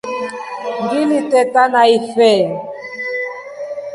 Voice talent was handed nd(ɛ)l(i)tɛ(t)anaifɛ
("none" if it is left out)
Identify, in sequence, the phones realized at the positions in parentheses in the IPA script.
i, i, t

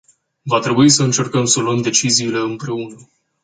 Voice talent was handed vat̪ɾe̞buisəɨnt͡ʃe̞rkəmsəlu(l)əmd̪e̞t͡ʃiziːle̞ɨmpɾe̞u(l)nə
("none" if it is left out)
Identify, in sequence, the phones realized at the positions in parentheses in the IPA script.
none, none

